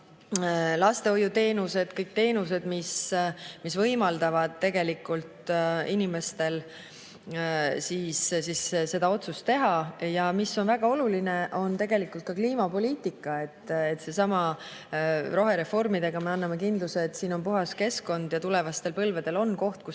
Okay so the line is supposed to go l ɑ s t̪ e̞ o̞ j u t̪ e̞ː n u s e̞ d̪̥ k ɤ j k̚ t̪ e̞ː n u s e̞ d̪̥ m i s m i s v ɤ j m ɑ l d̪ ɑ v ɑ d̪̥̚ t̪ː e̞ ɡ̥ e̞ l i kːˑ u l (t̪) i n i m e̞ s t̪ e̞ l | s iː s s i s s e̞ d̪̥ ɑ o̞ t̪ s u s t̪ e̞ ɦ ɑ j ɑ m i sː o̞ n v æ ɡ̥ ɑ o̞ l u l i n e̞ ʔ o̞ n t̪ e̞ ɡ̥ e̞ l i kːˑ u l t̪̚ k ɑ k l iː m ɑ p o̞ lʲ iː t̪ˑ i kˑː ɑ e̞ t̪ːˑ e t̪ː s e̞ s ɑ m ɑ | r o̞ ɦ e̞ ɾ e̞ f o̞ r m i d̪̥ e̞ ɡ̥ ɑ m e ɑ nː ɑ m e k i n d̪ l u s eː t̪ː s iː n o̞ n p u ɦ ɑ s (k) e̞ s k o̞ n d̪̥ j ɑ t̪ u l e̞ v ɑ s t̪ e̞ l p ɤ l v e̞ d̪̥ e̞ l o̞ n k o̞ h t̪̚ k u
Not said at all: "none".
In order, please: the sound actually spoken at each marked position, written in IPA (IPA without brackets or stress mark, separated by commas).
t̪, k